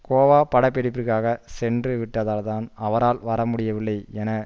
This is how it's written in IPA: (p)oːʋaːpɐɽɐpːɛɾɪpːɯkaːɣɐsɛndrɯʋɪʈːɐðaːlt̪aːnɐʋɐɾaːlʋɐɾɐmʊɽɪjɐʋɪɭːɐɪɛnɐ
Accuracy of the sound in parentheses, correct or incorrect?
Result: incorrect: k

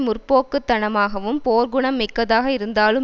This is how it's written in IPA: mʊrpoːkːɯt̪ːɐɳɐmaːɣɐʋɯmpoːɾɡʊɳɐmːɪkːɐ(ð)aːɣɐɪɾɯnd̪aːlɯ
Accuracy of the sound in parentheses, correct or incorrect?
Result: correct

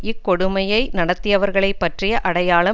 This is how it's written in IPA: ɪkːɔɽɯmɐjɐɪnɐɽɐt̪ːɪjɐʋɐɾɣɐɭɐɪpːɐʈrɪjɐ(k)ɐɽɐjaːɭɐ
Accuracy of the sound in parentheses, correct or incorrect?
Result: incorrect: ʔ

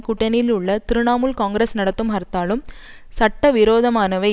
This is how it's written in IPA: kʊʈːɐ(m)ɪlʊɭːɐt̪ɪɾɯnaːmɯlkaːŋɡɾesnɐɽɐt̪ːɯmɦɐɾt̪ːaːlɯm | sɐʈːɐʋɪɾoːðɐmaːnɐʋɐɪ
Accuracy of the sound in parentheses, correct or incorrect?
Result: incorrect: n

